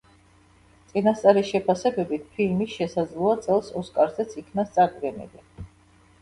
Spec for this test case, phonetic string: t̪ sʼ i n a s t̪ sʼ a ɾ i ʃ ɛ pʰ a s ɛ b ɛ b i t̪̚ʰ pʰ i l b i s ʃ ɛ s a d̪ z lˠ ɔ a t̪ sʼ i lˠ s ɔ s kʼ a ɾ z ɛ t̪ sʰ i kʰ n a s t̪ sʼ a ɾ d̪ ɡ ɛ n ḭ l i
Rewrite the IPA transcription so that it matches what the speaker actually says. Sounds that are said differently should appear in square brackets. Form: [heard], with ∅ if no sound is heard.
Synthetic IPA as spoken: t̪ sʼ i n a s t̪ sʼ a ɾ i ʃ ɛ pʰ a s ɛ b ɛ b i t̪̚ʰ pʰ i l [m] i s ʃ ɛ s a d̪ z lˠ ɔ a t̪ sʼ [ɛ] lˠ s ɔ s kʼ a ɾ z ɛ t̪ sʰ i kʰ n a s t̪ sʼ a ɾ d̪ ɡ ɛ n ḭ l i